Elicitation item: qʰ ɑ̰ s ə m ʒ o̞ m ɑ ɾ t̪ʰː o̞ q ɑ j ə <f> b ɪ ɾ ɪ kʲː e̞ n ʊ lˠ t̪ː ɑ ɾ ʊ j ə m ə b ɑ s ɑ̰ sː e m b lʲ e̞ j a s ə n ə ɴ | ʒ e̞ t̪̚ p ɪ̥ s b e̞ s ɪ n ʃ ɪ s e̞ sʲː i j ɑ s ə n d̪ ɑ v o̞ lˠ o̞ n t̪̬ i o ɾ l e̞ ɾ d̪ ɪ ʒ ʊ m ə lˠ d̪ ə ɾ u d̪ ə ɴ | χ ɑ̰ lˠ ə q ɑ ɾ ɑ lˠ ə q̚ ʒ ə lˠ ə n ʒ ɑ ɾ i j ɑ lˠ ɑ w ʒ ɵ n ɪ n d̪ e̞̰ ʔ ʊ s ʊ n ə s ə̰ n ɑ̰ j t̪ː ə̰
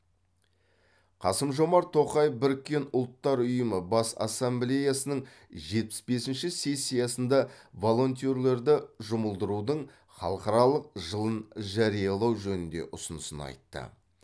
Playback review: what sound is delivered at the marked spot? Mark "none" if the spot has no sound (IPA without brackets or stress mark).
f